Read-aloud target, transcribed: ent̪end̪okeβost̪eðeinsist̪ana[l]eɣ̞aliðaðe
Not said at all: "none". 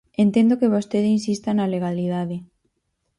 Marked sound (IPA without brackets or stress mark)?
l